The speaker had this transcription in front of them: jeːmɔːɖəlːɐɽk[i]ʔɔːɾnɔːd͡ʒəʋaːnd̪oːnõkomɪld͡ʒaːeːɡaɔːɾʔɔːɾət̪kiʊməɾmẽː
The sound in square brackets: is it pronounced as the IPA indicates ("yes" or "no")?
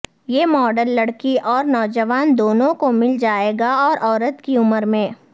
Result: yes